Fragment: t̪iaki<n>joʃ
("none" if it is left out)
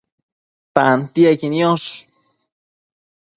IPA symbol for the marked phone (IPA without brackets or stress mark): n